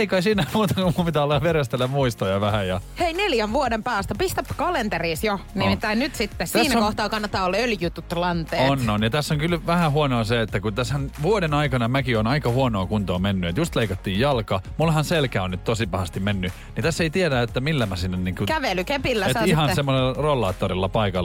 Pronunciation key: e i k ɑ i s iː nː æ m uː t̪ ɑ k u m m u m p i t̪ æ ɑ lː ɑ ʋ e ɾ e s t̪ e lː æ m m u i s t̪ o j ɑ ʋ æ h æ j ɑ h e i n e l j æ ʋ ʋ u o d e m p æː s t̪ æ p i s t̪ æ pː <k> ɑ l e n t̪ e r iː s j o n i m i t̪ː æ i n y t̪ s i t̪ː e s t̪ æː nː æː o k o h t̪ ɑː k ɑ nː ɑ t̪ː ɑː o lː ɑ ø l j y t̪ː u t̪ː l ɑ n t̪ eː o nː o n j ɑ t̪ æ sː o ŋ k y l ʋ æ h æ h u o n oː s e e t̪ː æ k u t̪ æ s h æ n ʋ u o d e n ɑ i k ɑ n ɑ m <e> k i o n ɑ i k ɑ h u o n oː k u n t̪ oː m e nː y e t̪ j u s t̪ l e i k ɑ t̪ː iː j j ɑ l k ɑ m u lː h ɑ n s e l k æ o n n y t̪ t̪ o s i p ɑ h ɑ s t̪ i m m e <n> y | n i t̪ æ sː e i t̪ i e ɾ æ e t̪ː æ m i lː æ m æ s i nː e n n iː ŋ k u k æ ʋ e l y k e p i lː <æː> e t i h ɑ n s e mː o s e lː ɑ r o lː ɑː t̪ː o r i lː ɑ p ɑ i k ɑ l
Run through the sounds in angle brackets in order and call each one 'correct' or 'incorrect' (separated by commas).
correct, incorrect, incorrect, incorrect